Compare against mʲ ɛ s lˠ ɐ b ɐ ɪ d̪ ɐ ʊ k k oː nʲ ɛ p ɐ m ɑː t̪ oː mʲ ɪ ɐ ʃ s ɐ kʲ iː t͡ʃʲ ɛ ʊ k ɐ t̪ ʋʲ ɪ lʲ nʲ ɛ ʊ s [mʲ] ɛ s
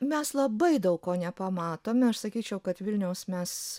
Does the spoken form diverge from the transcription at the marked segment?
no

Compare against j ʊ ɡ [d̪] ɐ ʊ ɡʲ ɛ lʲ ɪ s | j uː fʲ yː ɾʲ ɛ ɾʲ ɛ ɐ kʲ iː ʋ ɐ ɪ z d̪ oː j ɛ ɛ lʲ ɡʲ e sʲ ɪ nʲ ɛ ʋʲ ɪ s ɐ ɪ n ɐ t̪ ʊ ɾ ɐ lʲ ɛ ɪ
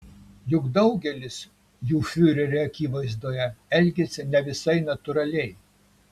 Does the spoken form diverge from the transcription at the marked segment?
no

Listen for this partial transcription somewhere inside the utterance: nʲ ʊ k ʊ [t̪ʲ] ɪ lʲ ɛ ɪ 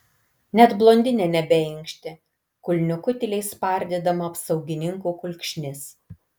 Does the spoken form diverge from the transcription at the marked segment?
no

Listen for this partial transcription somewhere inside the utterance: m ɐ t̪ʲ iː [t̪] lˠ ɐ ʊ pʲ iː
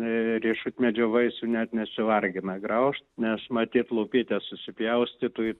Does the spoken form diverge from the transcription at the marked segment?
no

